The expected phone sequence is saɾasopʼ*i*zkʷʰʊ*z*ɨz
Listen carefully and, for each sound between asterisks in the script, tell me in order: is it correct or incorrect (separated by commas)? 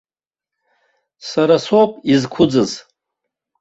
correct, incorrect